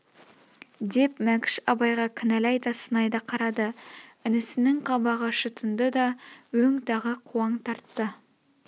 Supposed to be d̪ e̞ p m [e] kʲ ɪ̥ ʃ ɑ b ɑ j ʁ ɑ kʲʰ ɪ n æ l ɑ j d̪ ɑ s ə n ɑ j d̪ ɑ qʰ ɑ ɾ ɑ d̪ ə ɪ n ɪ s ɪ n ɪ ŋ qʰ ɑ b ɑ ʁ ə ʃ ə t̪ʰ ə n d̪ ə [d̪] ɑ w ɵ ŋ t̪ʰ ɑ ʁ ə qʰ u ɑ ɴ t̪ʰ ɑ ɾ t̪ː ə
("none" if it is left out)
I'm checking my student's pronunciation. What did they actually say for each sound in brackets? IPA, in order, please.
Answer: æ, d̪

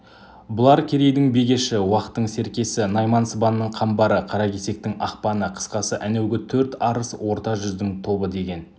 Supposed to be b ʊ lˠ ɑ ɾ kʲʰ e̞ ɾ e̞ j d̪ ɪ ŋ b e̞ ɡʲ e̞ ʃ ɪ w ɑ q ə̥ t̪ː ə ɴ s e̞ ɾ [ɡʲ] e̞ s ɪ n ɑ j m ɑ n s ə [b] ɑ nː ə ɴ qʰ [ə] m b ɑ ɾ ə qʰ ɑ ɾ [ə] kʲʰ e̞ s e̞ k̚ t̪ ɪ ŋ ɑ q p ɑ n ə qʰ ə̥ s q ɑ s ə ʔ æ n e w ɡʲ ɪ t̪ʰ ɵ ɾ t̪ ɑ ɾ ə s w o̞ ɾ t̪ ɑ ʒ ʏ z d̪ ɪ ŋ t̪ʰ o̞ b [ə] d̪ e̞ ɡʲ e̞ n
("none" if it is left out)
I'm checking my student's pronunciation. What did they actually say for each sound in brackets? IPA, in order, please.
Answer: kʲ, b, ɑ, ɑ, ə

